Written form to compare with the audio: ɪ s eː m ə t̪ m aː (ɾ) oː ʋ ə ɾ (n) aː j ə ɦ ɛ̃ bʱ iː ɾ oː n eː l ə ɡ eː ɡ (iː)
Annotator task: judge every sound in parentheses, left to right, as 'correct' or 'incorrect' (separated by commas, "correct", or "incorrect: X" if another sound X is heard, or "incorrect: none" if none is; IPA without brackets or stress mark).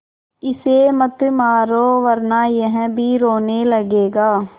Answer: correct, correct, incorrect: aː